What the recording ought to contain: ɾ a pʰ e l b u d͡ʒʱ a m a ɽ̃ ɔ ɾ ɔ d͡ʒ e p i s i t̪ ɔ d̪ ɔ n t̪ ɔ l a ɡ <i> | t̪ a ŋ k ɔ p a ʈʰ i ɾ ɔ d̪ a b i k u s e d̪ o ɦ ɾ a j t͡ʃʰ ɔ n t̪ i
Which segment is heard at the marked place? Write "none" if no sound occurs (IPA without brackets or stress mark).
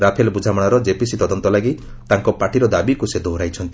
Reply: i